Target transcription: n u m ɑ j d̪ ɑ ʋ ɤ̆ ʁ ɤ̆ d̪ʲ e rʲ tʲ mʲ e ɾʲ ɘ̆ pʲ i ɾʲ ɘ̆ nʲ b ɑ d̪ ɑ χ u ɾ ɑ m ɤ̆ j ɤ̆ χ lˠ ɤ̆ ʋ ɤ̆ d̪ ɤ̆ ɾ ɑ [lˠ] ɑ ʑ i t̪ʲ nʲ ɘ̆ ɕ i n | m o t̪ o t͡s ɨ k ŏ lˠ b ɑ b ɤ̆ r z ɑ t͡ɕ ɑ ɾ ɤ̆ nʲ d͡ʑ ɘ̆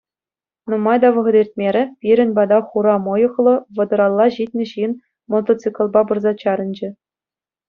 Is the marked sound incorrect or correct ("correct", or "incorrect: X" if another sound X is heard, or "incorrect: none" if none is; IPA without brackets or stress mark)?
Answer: incorrect: lˠː